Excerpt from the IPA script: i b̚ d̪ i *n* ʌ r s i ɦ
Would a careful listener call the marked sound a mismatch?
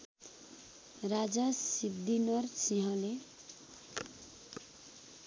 no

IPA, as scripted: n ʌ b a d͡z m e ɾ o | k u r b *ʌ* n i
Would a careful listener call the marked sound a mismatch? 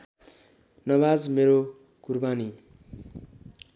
yes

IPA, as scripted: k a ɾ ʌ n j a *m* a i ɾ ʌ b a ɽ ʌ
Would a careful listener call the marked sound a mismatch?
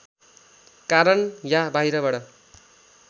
yes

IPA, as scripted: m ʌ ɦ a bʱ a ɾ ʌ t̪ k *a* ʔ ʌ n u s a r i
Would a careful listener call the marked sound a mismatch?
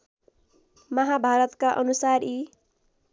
no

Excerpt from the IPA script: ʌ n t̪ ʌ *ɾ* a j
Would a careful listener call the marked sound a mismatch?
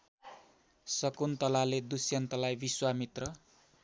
yes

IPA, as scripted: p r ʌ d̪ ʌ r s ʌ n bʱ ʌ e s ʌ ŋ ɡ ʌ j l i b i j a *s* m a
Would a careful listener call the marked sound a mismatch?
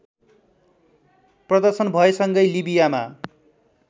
yes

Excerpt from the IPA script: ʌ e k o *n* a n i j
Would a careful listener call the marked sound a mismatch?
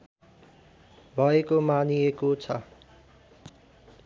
yes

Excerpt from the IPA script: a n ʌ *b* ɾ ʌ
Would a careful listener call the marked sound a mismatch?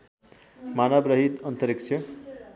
no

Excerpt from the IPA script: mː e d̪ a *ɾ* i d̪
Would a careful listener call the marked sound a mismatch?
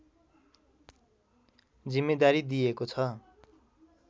no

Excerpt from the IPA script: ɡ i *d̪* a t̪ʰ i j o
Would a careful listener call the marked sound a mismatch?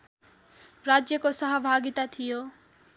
yes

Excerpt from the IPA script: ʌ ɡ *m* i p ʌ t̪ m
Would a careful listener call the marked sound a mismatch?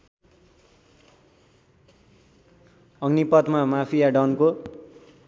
yes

